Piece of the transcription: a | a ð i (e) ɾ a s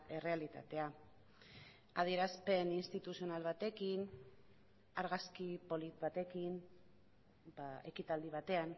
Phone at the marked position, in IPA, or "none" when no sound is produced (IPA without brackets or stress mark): e